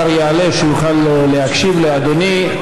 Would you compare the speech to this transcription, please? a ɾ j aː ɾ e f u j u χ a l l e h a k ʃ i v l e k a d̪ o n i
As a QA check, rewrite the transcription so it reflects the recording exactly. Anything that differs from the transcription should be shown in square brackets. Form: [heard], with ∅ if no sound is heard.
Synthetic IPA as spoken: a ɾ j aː [l] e [ʃ] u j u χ a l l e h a k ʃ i v l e [∅] a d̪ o n i